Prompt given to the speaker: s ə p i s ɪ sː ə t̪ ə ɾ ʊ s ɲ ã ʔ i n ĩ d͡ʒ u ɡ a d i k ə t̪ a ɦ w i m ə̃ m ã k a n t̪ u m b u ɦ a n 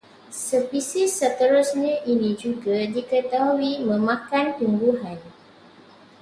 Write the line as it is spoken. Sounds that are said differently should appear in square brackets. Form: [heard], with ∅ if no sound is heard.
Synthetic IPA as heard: s ə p i s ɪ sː ə t̪ ə ɾ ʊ s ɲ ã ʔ i n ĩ d͡ʒ u ɡ a d i k ə t̪ a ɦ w i m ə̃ m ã k a n t̪ u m b u ɦ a n